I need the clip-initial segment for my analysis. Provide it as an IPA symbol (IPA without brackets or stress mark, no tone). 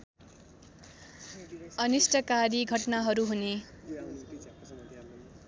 ʌ